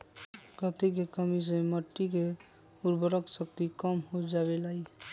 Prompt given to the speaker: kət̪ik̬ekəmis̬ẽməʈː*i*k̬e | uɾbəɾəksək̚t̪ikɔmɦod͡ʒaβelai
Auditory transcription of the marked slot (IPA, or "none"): i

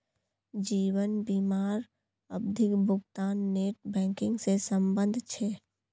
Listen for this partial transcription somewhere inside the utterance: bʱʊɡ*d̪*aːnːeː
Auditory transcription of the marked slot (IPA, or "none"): t̪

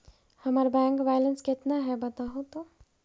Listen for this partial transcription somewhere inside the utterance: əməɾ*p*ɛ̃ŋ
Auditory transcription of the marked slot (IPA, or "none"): b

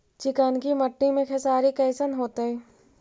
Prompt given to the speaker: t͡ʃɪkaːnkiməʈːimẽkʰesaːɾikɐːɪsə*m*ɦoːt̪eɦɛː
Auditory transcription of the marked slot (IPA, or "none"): n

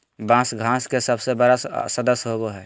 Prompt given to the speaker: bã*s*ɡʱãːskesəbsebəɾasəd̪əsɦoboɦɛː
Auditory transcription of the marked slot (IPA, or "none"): s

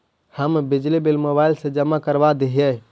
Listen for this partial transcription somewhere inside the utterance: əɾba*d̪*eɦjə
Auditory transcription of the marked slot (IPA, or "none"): d̪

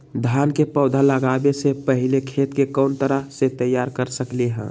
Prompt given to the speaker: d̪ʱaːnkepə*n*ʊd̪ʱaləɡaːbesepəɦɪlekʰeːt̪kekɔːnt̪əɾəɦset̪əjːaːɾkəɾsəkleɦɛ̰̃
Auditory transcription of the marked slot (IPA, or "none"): none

